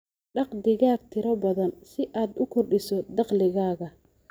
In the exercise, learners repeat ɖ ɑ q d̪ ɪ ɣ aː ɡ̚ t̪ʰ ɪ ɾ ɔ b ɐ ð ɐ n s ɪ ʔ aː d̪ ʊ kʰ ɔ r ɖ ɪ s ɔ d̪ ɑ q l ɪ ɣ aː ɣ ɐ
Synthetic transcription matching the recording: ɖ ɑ q d̪ ɪ ɣ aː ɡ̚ t̪ʰ ɪ ɾ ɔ b ɐ ð ɐ n s ɪ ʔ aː d̪ ʊ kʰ ɔ r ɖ ɪ s ɔ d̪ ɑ q l ɪ ɣ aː ɣ ɐ